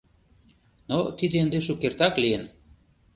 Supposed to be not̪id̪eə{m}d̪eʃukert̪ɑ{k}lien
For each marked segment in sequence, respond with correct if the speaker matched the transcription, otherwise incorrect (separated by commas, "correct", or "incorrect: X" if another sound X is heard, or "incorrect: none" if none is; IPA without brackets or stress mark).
incorrect: n, correct